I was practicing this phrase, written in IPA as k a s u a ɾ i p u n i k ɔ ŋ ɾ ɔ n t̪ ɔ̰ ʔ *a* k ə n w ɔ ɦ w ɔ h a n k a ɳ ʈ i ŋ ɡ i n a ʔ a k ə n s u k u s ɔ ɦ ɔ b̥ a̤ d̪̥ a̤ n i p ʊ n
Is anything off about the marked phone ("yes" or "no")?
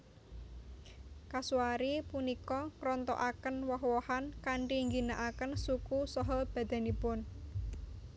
no